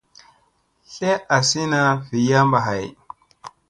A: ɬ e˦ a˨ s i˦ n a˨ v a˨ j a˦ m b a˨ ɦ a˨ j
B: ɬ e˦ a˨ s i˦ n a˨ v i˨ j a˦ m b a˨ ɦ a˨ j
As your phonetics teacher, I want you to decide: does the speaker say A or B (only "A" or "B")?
B